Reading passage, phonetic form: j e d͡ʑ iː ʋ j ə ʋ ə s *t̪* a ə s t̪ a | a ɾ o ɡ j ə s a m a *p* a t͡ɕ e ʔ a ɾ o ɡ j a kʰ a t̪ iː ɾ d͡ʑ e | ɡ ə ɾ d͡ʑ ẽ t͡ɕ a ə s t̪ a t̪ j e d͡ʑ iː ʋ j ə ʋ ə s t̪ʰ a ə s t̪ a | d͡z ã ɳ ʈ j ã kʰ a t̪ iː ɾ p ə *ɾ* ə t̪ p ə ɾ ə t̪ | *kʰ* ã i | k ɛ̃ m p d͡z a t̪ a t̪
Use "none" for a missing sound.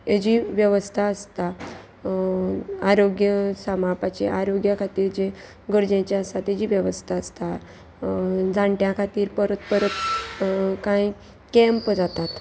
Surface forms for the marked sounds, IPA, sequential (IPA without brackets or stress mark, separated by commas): t̪ʰ, p, ɾ, k